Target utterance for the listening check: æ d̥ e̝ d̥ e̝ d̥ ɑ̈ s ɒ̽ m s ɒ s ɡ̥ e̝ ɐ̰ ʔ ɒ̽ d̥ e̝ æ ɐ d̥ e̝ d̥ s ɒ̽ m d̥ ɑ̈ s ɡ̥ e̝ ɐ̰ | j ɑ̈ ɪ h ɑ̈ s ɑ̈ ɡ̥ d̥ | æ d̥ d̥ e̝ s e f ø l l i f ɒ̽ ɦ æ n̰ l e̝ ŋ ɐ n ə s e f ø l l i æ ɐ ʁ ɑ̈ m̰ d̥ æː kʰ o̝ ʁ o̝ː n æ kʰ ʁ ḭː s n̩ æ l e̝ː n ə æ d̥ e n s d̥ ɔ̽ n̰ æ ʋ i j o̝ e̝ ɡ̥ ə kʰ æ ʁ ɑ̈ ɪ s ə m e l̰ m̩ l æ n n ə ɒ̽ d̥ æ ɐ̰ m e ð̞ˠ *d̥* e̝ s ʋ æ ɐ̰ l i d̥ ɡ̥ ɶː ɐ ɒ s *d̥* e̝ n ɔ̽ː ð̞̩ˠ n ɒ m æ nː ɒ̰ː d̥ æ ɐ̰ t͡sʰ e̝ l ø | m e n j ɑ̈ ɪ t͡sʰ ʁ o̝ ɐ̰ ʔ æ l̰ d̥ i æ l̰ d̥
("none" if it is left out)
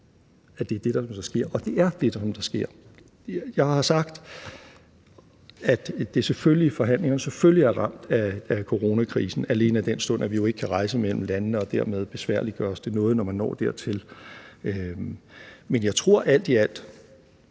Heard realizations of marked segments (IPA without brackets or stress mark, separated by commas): b̥, d̥